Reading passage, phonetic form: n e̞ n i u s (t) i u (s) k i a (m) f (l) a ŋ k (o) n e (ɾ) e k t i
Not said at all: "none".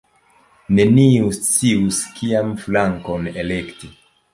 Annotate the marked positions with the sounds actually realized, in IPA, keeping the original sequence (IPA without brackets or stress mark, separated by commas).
t͡s, s, m, l, o, l